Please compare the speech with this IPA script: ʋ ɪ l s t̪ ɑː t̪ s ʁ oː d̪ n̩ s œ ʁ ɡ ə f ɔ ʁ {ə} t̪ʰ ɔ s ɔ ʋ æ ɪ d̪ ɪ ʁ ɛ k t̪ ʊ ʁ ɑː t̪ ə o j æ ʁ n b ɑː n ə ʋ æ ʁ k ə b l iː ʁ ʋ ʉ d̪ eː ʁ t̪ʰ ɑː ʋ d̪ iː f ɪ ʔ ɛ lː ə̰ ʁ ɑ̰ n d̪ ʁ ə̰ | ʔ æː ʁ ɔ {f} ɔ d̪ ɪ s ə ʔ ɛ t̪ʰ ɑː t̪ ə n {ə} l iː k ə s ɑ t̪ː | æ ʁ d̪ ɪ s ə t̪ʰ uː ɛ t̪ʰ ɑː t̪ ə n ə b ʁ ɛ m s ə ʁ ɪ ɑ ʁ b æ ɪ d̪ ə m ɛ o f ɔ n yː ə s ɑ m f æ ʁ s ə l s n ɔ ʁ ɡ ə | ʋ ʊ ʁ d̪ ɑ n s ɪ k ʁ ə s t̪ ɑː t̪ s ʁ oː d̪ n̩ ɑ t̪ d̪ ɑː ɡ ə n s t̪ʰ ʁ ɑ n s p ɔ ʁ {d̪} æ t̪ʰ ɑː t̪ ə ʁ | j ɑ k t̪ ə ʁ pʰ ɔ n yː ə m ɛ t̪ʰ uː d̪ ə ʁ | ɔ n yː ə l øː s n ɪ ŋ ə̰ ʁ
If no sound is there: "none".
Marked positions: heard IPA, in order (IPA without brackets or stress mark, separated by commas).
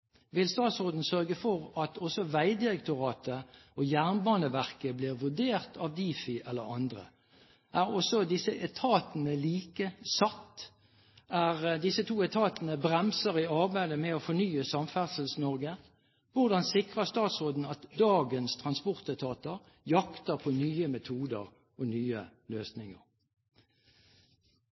ɑ, s, ə, t̪